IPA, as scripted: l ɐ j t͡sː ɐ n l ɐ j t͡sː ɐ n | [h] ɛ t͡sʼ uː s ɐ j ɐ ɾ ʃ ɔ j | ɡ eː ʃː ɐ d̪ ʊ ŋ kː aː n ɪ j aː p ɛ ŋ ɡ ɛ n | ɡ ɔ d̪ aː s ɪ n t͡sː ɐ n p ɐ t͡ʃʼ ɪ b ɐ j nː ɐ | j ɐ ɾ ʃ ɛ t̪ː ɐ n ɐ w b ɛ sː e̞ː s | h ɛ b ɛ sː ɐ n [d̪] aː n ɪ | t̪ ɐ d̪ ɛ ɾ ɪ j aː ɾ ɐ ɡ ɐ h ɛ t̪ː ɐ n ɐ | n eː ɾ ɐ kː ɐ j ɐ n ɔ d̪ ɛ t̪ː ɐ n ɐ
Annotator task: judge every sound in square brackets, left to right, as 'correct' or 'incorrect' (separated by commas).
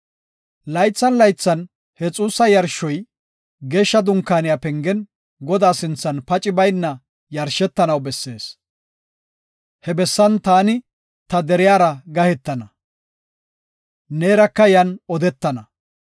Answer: correct, incorrect